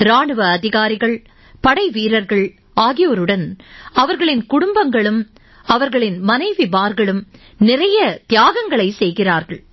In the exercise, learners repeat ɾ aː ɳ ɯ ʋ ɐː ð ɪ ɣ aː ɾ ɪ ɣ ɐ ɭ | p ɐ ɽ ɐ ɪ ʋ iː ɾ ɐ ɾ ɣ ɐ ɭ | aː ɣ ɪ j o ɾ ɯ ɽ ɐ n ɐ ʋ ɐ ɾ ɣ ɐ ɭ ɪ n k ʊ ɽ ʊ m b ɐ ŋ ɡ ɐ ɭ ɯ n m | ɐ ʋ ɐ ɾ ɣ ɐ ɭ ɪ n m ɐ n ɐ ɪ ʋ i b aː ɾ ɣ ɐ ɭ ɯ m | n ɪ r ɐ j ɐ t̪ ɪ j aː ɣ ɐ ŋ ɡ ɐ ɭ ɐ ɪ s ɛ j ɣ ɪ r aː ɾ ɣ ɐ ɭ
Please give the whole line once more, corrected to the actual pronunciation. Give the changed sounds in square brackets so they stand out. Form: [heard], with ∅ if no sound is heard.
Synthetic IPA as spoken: ɾ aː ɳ ɯ ʋ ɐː ð ɪ ɣ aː ɾ ɪ ɣ ɐ ɭ | p ɐ ɽ ɐ ɪ ʋ iː ɾ ɐ ɾ ɣ ɐ ɭ | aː ɣ ɪ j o ɾ ɯ ɽ ɐ n ɐ ʋ ɐ ɾ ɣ ɐ ɭ ɪ n k ʊ ɽ ʊ m b ɐ ŋ ɡ ɐ ɭ ɯ [∅] m | ɐ ʋ ɐ ɾ ɣ ɐ ɭ ɪ n m ɐ n ɐ ɪ ʋ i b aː ɾ ɣ ɐ ɭ ɯ m | n ɪ r ɐ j ɐ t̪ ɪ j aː ɣ ɐ ŋ ɡ ɐ ɭ ɐ ɪ s ɛ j ɣ ɪ r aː ɾ ɣ ɐ ɭ